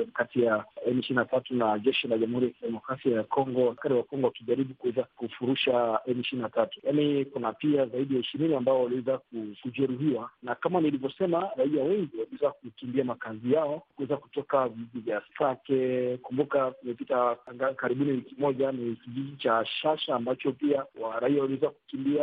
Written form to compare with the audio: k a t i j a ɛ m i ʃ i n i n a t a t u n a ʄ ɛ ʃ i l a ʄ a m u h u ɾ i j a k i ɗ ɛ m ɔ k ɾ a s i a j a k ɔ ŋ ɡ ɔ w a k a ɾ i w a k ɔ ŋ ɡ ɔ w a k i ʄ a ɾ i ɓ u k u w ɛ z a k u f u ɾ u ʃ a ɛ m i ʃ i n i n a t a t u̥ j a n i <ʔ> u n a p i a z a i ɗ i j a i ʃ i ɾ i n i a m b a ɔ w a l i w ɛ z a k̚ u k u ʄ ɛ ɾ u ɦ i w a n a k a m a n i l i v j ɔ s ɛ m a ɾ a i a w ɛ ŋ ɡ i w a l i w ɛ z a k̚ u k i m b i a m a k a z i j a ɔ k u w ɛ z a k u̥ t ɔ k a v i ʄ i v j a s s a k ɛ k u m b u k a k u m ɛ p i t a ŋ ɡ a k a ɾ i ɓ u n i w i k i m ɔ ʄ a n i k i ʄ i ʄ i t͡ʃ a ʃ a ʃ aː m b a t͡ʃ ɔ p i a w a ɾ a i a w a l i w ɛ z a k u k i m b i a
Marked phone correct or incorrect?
incorrect